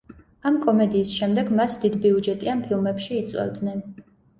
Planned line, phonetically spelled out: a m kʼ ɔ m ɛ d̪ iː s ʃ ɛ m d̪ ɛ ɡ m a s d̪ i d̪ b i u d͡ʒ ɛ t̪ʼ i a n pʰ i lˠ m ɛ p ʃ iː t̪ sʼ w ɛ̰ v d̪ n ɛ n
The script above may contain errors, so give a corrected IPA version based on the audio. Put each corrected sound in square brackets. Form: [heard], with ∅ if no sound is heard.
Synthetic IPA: a m kʼ ɔ m ɛ d̪ iː s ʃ ɛ m d̪ ɛ ɡ m a s d̪ i d̪ b i u d͡ʒ ɛ t̪ʼ i a n pʰ i lˠ m ɛ p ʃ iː t̪ sʼ w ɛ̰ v d̪ n ɛ n